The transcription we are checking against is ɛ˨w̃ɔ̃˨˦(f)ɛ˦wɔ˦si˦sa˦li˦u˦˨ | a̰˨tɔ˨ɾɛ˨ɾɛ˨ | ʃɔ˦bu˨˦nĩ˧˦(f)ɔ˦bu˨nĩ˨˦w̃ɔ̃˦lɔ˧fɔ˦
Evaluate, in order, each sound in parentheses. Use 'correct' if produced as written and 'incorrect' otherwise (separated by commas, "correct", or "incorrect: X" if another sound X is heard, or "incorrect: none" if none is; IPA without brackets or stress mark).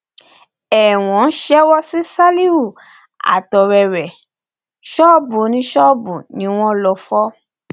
incorrect: ʃ, incorrect: ʃ